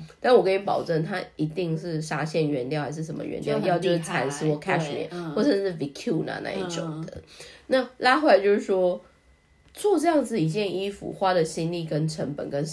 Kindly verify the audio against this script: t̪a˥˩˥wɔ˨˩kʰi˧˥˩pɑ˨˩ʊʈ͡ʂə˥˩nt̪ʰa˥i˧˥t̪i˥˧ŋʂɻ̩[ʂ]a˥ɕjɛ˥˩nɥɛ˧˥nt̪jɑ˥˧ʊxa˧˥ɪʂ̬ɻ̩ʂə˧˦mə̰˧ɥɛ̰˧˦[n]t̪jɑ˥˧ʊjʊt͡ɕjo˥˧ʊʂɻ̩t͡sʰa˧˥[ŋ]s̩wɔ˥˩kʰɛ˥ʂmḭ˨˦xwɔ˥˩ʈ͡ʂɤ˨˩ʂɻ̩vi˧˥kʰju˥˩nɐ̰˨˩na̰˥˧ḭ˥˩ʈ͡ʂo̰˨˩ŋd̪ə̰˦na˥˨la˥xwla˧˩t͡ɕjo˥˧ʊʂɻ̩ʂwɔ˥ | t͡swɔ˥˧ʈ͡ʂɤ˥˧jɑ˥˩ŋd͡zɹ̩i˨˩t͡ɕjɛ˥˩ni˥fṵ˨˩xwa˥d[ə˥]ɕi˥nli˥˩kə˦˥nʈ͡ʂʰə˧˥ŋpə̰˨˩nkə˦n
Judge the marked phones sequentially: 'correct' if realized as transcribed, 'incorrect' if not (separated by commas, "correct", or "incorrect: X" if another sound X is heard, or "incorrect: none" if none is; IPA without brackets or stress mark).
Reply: correct, correct, incorrect: n, incorrect: ə˨